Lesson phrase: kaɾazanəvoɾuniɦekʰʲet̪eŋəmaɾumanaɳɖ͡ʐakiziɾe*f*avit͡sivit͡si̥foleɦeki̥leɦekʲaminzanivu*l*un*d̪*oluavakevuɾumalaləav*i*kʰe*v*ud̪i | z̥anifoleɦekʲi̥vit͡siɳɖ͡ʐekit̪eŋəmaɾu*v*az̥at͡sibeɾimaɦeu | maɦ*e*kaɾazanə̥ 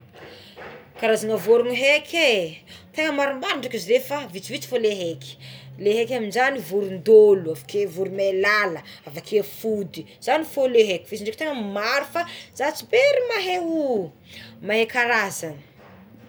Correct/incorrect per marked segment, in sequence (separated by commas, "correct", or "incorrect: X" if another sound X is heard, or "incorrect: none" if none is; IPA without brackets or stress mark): correct, incorrect: ɾ, correct, incorrect: a, incorrect: f, incorrect: f, correct